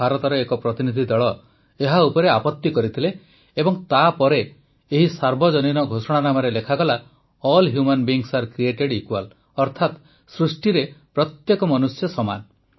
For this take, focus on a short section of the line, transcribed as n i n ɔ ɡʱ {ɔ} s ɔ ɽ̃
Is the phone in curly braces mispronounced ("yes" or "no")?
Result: yes